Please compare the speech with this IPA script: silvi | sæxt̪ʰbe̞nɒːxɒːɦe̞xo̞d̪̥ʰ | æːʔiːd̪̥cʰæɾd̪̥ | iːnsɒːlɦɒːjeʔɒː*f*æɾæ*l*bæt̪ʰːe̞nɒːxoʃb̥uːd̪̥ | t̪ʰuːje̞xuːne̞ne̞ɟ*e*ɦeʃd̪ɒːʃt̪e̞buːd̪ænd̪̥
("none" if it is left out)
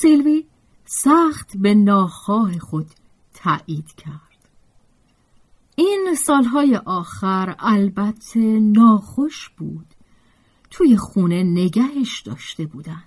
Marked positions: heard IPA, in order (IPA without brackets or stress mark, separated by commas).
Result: x, l, æ